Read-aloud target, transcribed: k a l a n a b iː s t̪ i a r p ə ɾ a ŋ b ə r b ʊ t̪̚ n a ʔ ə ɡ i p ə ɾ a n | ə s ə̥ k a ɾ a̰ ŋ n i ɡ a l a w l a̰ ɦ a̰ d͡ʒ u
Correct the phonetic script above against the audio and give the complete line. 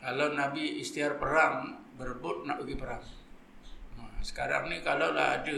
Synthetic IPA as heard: k a l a n a b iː s t̪ i a r p ə ɾ a ŋ b ə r b ʊ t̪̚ n a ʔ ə ɡ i p ə ɾ a ŋ | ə s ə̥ k a ɾ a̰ ŋ n i k a l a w l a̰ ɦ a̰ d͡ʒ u